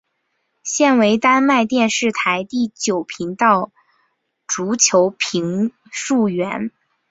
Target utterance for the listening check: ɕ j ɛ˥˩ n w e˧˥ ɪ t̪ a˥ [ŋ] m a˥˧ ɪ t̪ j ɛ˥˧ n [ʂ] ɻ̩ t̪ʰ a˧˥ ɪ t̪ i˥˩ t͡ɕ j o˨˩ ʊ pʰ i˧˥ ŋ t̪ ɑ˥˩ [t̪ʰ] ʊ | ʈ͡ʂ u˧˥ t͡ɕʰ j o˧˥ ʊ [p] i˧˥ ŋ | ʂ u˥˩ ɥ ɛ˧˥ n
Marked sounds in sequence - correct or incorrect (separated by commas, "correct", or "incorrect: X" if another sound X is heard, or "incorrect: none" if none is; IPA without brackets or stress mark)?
incorrect: n, correct, incorrect: none, incorrect: pʰ